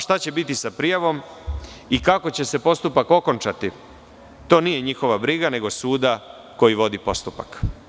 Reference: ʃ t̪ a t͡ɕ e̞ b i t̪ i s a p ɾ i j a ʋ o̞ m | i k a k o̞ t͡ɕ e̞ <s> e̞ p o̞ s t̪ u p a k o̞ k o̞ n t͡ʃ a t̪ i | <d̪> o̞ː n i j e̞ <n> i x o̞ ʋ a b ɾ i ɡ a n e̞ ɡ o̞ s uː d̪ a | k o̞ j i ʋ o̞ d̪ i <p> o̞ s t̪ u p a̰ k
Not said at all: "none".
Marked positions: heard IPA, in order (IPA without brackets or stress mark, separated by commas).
s, t̪, ɲ, p